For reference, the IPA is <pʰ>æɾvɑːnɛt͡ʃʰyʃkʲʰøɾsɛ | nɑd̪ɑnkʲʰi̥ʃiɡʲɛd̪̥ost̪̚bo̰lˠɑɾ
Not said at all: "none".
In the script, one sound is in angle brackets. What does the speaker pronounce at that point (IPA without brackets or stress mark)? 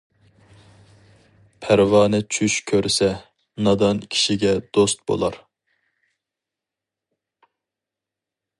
pʰ